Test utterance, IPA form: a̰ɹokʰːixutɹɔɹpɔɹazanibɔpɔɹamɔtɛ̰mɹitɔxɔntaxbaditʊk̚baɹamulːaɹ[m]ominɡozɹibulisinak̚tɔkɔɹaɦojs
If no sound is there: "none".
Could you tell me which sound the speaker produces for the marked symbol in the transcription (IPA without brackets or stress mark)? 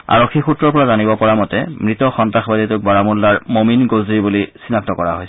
m